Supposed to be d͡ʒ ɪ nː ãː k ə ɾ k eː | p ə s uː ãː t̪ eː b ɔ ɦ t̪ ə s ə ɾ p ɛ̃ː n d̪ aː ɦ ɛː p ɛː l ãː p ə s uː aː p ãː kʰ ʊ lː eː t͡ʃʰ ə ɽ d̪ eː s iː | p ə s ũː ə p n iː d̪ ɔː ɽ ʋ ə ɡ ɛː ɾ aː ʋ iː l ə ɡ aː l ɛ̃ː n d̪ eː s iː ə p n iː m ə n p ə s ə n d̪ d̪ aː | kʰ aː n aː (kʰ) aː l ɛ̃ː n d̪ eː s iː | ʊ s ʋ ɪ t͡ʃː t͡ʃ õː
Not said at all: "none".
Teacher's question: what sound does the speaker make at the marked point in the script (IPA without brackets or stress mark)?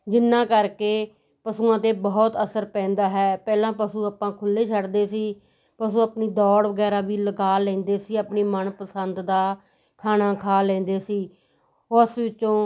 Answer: kʰ